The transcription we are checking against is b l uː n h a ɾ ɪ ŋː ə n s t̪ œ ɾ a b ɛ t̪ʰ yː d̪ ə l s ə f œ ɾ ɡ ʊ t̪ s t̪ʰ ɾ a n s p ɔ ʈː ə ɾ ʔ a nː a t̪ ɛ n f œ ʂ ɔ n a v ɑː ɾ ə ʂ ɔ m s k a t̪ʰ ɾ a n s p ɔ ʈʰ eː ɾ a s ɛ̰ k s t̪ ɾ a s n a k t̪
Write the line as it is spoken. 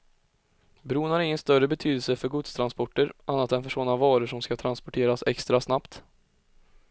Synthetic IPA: b ɾ uː n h a ɾ ɪ ŋː ə n s t̪ œ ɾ ə b ɛ t̪ʰ yː d̪ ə l s ə f œ ɾ ɡ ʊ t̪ s t̪ʰ ɾ a n s p ɔ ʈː ə ɾ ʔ a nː a t̪ ɛ n f œ ʂ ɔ n a v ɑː ɾ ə ʂ ɔ m s k a t̪ʰ ɾ a n s p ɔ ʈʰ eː ɾ a s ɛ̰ k s t̪ ɾ a s n a p t̪

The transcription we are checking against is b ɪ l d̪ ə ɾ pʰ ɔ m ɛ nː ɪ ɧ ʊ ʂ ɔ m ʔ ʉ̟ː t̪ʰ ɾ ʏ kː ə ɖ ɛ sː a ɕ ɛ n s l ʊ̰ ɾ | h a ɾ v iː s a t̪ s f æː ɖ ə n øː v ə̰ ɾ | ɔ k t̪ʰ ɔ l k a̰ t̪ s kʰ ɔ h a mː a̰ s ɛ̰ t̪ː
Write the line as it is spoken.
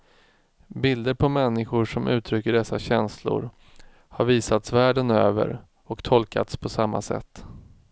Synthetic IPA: b ɪ l d̪ ə ɾ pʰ ɔ m ɛ nː ɪ ɧ ʊ ʂ ɔ m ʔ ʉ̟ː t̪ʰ ɾ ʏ kː ə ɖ ɛ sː a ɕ ɛ n s l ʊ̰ ɾ | h a ɾ v iː s a t̪ s v æː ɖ ə n øː v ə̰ ɾ | ɔ k t̪ʰ ɔ l k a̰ t̪ s pʰ ɔ s a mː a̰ s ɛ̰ t̪ː

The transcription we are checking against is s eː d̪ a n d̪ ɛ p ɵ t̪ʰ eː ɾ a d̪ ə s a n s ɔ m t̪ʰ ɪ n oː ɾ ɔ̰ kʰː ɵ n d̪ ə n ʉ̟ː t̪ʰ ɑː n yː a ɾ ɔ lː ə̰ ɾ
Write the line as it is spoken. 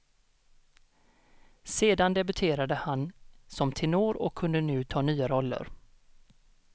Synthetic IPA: s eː d̪ a n d̪ ɛ b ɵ t̪ʰ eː ɾ a d̪ ə h a n s ɔ m t̪ʰ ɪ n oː ɾ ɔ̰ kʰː ɵ n d̪ ə n ʉ̟ː t̪ʰ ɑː n yː a ɾ ɔ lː ə̰ ɾ

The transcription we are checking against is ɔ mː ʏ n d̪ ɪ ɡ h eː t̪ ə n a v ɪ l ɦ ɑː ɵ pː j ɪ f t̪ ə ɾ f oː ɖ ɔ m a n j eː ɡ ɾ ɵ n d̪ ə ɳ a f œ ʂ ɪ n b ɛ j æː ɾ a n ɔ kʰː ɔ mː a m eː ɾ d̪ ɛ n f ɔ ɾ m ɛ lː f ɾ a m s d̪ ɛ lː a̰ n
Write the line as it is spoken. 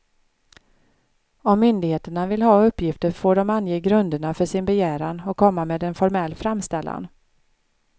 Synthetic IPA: ɔ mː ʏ n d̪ ɪ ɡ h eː t̪ ə ɳ a v ɪ l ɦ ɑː ɵ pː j ɪ f t̪ ə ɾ f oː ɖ ɔ m a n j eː ɡ ɾ ɵ n d̪ ə ɳ a f œ ʂ ɪ n b ɛ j æː ɾ a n ɔ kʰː ɔ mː a m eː d̪ ɛ n f ɔ ɾ m ɛ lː f ɾ a m s t̪ ɛ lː a̰ n

